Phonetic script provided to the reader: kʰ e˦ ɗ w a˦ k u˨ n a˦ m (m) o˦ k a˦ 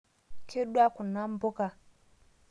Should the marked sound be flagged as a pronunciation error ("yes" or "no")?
yes